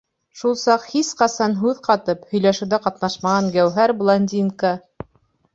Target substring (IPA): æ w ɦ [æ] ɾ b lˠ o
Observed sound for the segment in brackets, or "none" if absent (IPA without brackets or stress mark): æ